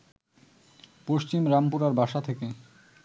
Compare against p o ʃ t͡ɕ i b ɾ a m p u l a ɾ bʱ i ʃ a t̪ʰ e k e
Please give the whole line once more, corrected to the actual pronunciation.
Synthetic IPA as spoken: p o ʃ t͡ɕ i m ɾ a m p u ɾ a ɾ bʱ a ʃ a t̪ʰ e k e